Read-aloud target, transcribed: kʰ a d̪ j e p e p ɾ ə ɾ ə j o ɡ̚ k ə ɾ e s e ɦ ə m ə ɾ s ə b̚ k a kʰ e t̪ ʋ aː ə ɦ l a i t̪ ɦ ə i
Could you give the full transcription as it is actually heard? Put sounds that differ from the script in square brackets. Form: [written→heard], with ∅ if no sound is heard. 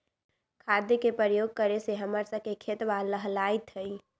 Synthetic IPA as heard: kʰ a d̪ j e [p→k] e p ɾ ə ɾ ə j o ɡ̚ k ə ɾ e s e ɦ ə m ə ɾ s ə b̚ k [a→e] kʰ e t̪ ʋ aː ə ɦ l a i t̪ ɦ ə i